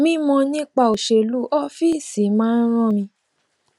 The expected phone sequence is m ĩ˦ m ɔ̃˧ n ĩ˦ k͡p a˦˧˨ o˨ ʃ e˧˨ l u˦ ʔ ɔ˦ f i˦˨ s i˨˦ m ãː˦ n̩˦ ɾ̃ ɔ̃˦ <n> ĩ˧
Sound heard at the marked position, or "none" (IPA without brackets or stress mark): m